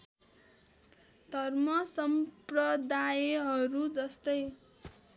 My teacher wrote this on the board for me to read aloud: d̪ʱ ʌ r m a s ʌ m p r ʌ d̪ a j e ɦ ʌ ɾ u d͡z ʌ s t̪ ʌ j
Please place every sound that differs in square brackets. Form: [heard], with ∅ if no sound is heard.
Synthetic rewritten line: d̪ʱ ʌ r m [ʌ] s ʌ m p r ʌ d̪ a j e ɦ ʌ ɾ u d͡z ʌ s t̪ ʌ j